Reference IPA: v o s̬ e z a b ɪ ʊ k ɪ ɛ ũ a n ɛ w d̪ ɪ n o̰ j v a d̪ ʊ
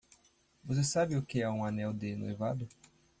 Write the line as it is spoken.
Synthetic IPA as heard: v o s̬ e s a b ɪ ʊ k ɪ ɛ ũ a n ɛ w d̪ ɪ n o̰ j v a d̪ ʊ